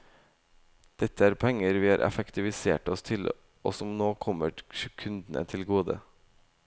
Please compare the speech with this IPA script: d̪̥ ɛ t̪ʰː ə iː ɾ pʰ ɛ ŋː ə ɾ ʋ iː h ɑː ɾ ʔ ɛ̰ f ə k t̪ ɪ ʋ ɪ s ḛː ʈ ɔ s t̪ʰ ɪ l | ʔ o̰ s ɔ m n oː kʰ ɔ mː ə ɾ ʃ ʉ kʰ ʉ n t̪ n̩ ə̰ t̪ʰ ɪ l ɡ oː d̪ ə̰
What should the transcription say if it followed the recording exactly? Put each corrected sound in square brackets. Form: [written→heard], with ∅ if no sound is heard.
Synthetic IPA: d̪̥ ɛ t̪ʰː ə [iː→æː] ɾ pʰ ɛ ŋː ə ɾ ʋ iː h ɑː ɾ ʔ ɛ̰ f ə k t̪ ɪ ʋ ɪ s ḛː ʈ ɔ s t̪ʰ ɪ l | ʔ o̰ s ɔ m n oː kʰ ɔ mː ə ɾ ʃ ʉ kʰ ʉ n [t̪→d̪] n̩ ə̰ t̪ʰ ɪ l ɡ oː d̪ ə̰